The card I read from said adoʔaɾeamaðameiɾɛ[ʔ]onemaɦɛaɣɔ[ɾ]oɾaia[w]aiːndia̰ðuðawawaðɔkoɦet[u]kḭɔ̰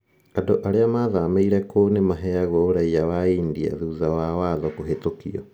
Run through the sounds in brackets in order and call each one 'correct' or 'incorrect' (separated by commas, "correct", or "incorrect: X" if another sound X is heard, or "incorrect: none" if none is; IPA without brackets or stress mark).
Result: incorrect: k, incorrect: none, correct, incorrect: o